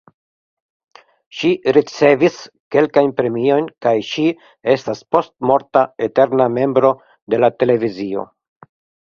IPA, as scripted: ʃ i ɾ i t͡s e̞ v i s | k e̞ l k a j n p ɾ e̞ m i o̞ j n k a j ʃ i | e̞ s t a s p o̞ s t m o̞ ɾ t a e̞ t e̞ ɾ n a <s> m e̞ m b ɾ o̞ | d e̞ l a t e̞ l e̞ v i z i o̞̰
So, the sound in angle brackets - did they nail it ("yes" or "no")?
no